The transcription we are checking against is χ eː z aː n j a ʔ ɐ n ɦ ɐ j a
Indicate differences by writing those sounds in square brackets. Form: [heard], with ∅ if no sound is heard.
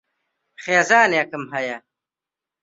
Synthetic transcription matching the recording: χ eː z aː n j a [k] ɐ [m] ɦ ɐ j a

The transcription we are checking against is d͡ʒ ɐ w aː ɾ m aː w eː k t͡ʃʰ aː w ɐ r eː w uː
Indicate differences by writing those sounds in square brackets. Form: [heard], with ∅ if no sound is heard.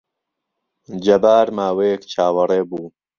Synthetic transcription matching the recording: d͡ʒ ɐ [b] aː ɾ m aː w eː k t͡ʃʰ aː w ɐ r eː [b] uː

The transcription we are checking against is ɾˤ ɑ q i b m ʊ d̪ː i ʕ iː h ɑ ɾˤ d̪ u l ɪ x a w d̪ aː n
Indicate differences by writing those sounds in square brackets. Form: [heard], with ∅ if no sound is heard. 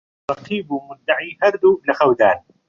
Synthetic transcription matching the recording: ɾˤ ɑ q [iː] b m ʊ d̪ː [a] ʕ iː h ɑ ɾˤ d̪ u l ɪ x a w d̪ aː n

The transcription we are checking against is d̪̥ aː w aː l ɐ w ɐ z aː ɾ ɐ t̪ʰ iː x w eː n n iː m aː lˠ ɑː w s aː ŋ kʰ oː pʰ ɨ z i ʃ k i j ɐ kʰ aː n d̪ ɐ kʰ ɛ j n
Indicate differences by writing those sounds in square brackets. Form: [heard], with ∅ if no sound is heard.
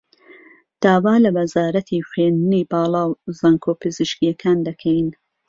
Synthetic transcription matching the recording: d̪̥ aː w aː l ɐ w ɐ z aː ɾ ɐ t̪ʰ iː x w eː n n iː [b] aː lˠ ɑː w [z] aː ŋ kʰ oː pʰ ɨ z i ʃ k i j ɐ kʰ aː n d̪ ɐ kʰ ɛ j n

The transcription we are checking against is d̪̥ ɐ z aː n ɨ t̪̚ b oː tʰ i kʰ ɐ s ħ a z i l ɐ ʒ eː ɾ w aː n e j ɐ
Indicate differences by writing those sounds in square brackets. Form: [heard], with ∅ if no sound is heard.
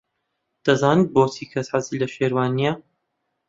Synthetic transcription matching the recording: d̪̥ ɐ z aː n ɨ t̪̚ b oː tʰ i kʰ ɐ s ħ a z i l ɐ [ʃ] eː ɾ w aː n [i] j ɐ

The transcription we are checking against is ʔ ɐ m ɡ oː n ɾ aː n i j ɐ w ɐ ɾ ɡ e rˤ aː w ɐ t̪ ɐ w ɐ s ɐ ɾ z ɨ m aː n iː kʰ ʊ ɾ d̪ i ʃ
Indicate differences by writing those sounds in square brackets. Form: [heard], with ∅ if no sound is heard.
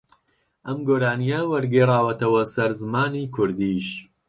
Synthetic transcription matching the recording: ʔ ɐ m ɡ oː [∅] ɾ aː n i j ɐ w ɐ ɾ ɡ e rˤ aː w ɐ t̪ ɐ w ɐ s ɐ ɾ z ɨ m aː n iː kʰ ʊ ɾ d̪ i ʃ

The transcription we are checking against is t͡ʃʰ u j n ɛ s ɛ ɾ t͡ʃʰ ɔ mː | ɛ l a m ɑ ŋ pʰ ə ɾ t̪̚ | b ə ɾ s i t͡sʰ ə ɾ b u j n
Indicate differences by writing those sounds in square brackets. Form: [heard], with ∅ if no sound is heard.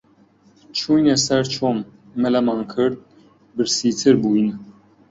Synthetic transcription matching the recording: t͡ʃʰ u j n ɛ s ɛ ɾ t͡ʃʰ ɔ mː | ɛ l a m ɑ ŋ [kʰ] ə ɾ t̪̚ | b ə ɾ s i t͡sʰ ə ɾ b u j n

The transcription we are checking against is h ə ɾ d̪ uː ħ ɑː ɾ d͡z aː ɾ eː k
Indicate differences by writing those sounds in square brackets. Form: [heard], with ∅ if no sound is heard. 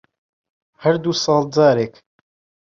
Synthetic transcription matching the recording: h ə ɾ d̪ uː [s] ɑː [l] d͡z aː ɾ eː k

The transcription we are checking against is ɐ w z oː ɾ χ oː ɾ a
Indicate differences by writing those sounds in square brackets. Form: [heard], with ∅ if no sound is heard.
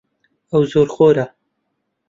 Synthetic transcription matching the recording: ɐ w z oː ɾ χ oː ɾ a

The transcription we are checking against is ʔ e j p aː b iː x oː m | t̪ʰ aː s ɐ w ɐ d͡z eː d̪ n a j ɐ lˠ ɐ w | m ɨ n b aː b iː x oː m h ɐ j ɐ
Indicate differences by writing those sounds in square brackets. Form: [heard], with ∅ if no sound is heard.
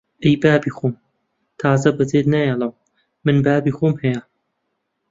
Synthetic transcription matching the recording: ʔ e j [b] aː b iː x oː m | t̪ʰ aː [z] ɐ [b] ɐ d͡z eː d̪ n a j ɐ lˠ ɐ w | m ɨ n b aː b iː x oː m h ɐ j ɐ

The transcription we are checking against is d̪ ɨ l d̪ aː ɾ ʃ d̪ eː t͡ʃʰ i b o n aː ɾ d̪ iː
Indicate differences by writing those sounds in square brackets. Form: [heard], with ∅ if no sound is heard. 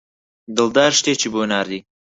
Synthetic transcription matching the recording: d̪ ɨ l d̪ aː ɾ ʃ [t̪] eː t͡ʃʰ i b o n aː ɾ d̪ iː

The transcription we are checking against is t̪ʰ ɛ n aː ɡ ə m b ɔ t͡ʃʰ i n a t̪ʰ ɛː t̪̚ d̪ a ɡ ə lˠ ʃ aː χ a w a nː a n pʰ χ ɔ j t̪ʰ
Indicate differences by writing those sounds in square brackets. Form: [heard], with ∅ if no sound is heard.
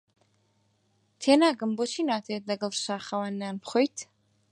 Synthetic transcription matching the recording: t̪ʰ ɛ n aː ɡ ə m b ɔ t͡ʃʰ i n a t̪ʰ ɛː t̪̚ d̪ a ɡ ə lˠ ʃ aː χ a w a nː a n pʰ χ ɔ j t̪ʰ

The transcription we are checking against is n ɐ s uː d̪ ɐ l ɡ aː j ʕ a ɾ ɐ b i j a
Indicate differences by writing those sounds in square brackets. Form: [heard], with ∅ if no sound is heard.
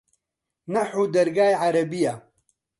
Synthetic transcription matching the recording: n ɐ [ħ] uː d̪ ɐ [ɾ] ɡ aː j ʕ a ɾ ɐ b i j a

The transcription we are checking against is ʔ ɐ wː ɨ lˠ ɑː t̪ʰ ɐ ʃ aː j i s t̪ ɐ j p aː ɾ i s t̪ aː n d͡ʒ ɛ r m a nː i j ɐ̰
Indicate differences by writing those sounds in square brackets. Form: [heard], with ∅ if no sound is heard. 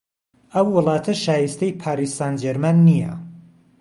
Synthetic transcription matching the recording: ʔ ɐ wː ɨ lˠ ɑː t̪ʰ ɐ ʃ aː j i s t̪ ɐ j [pʰ] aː ɾ i s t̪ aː n d͡ʒ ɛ [ɾ] m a nː i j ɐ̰

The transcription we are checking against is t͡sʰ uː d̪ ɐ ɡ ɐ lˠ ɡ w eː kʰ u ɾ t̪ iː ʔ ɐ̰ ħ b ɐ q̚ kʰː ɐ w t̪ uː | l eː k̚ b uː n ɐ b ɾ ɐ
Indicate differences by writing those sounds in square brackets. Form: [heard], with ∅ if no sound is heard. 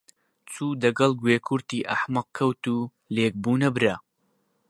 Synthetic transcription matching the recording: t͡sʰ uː d̪ ɐ ɡ ɐ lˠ ɡ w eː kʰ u ɾ t̪ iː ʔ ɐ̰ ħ [m] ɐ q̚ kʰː ɐ w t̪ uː | l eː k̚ b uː n ɐ b ɾ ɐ

